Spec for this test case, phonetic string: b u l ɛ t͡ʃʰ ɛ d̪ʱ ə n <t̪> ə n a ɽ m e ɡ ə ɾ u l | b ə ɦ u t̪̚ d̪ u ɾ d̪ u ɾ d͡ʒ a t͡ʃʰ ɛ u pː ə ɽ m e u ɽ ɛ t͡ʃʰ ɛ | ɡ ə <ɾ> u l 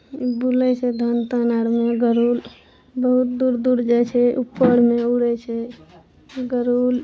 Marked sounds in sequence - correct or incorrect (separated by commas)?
correct, correct